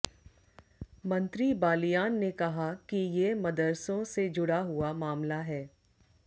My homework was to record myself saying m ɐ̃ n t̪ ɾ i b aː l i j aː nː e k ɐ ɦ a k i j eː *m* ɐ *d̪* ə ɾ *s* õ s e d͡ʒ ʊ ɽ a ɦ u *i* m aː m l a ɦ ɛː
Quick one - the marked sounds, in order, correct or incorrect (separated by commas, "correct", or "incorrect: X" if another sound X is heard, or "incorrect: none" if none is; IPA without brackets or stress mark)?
correct, correct, correct, incorrect: a